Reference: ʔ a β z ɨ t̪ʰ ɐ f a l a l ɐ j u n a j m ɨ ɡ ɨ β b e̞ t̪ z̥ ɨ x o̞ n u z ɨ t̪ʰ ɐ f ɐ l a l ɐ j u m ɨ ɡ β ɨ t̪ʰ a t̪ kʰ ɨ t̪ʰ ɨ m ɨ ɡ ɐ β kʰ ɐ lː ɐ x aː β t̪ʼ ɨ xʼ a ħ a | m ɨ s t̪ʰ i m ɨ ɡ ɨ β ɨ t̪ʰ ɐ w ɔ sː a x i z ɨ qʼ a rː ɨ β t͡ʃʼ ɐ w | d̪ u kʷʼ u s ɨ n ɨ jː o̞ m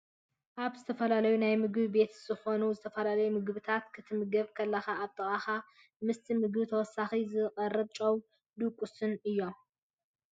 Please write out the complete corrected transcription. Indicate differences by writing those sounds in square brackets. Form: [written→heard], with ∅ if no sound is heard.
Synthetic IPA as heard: ʔ a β z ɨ t̪ʰ ɐ f [a→ɐ] l a l ɐ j u n a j m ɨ ɡ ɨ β b e̞ t̪ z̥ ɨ x o̞ n u z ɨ t̪ʰ ɐ f ɐ l a l ɐ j u m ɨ ɡ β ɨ t̪ʰ a t̪ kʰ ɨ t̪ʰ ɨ m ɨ ɡ ɐ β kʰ ɐ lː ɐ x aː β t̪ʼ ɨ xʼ a [ħ→x] a | m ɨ s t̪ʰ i m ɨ ɡ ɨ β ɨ t̪ʰ ɐ w ɔ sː a x i z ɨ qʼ [a→ɐ] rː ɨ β t͡ʃʼ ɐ w | d̪ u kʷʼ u s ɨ n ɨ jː o̞ m